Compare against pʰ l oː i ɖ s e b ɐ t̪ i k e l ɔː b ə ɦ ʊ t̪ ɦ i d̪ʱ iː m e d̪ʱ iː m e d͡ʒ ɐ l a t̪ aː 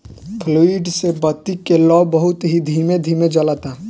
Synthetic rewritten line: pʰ l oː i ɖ s e b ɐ t̪ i k e l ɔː b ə ɦ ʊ t̪ ɦ i d̪ʱ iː m e d̪ʱ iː m e d͡ʒ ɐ l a t̪ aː